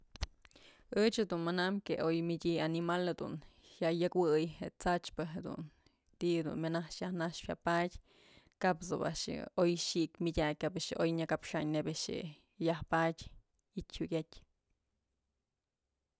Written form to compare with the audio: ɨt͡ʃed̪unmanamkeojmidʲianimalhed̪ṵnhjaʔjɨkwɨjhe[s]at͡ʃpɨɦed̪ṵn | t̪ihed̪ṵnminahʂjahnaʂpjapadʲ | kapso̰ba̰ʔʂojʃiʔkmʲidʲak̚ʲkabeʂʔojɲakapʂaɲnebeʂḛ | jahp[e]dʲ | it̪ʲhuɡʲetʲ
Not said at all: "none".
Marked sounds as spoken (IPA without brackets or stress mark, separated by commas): t͡s, a